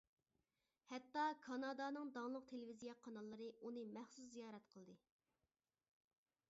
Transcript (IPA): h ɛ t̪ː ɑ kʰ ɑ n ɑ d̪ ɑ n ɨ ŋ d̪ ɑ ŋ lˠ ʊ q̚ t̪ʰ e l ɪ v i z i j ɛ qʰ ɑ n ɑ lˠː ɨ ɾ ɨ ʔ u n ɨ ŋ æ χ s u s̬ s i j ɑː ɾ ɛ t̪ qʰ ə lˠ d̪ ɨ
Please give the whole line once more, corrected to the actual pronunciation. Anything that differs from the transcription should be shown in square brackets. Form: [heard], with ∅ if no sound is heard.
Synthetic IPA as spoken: h ɛ t̪ː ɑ kʰ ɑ n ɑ d̪ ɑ n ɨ ŋ d̪ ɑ ŋ lˠ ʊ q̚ t̪ʰ e l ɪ v i z i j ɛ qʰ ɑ n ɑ lˠː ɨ ɾ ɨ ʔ u n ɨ [m] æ χ s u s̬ [z] i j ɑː ɾ ɛ t̪ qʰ ə lˠ d̪ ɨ